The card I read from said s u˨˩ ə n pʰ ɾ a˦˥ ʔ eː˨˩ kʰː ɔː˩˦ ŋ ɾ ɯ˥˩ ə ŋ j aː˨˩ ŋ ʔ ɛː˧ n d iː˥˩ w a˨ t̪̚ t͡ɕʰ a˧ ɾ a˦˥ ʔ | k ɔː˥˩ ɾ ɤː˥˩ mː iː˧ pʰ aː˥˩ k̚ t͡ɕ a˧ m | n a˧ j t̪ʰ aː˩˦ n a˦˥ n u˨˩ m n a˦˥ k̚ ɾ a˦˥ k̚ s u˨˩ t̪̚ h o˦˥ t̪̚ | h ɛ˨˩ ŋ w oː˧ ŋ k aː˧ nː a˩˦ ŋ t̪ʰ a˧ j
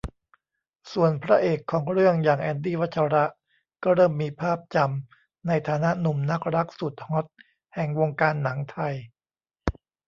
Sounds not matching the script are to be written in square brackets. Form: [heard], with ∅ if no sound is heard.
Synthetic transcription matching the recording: s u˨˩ ə n pʰ ɾ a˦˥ ʔ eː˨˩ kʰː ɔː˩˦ ŋ ɾ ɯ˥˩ ə ŋ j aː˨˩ ŋ ʔ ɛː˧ n d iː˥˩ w [a˦˥] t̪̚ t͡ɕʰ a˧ ɾ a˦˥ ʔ | k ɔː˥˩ ɾ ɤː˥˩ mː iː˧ pʰ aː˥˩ [p̚] t͡ɕ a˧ m | n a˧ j t̪ʰ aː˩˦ n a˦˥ n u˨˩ m n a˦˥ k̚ ɾ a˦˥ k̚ s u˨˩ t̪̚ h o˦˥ t̪̚ | h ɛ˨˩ ŋ w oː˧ ŋ k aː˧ nː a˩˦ ŋ t̪ʰ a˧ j